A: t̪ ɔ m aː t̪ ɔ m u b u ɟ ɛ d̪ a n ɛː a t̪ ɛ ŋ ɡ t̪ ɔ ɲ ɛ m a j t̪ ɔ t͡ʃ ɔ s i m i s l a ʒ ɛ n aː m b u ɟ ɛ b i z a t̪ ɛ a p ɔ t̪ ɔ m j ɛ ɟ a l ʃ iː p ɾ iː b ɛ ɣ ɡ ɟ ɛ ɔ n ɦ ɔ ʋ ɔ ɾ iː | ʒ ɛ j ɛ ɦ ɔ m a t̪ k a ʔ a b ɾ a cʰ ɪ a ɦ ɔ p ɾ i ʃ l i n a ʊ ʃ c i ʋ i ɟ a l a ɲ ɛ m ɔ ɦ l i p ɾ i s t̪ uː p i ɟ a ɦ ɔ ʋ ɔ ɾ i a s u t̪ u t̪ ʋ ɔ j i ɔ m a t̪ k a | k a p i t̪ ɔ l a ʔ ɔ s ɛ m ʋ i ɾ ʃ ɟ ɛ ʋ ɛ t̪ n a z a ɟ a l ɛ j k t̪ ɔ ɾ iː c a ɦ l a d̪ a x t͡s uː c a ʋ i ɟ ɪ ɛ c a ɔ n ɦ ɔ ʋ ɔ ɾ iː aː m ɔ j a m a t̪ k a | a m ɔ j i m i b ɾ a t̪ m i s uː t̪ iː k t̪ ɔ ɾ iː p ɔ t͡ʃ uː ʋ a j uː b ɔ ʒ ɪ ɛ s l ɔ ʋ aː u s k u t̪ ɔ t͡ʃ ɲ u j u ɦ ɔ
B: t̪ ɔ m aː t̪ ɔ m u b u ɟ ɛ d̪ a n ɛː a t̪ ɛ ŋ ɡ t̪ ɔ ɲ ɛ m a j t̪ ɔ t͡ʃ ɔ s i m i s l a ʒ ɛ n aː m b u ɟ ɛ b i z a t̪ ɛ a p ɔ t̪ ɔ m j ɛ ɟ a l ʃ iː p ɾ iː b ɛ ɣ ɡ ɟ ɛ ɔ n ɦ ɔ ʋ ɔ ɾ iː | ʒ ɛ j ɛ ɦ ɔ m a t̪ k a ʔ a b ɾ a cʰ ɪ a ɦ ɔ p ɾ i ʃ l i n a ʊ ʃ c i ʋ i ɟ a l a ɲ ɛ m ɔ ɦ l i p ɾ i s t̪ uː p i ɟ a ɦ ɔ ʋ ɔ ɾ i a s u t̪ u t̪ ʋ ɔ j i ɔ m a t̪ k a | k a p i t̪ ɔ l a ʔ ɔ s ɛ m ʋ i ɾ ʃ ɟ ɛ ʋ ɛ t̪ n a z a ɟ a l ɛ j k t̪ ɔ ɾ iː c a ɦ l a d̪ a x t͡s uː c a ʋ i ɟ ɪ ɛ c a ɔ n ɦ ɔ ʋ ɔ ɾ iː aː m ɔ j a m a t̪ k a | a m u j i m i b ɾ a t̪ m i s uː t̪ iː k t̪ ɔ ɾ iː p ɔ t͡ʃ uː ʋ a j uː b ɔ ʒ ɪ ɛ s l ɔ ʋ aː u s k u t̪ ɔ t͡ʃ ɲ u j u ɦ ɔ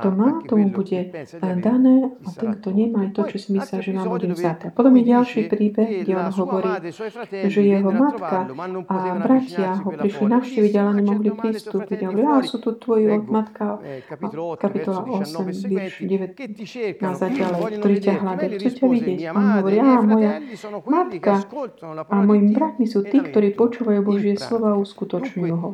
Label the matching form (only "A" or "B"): A